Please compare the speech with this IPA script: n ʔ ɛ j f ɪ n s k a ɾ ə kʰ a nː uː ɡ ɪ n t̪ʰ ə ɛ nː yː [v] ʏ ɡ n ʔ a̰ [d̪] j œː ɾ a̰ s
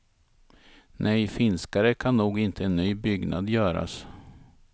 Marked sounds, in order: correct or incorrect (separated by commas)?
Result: incorrect, correct